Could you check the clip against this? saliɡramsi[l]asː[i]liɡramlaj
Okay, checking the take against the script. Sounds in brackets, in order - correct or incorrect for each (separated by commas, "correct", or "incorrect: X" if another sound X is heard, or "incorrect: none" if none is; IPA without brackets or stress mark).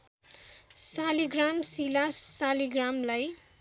correct, incorrect: a